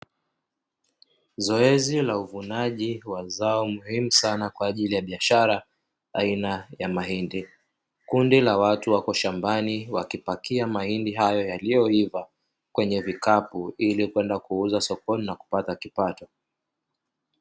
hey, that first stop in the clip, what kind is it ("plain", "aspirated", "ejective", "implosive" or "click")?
implosive